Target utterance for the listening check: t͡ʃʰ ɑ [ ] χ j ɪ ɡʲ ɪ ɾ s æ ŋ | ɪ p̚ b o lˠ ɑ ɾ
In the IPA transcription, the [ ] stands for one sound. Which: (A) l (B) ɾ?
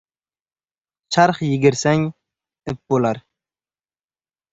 B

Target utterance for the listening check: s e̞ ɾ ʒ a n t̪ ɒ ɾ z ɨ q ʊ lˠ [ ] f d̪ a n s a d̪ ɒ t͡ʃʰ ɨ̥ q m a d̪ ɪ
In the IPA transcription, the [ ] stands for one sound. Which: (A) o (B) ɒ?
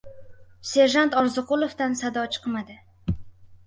A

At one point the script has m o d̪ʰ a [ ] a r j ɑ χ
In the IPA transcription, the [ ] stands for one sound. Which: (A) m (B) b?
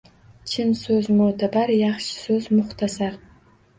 B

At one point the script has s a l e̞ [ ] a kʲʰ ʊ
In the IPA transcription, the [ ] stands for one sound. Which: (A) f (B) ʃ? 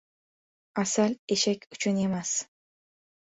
B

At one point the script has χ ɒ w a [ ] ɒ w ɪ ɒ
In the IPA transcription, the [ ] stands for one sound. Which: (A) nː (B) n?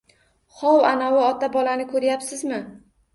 B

